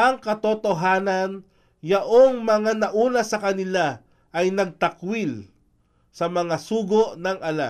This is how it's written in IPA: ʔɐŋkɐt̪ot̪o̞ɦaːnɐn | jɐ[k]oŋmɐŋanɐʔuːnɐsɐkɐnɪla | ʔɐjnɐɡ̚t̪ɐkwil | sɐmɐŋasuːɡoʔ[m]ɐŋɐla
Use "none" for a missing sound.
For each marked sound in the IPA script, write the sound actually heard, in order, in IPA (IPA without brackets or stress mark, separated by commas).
ʔ, n